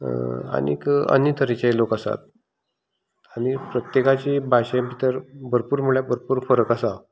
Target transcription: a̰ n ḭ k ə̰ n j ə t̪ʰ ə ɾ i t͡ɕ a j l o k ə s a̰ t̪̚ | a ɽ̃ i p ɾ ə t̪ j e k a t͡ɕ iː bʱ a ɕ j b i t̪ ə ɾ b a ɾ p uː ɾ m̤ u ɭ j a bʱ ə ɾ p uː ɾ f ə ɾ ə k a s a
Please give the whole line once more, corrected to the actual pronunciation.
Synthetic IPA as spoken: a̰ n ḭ k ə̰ n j ə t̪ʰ ə ɾ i t͡ɕ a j l o k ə s a̰ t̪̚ | a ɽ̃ i p ɾ ə t̪ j e k a t͡ɕ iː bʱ a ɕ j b i t̪ ə ɾ b ə ɾ p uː ɾ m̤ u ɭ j a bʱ ə ɾ p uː ɾ f ə ɾ ə k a s a